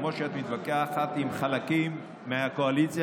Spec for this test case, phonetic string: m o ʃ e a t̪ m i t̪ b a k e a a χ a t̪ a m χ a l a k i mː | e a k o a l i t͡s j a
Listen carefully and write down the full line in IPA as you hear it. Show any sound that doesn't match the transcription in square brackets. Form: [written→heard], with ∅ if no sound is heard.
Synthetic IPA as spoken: m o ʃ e a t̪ m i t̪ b a k e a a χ a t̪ [a→i] m χ a l a k i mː | e a k o a l i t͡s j a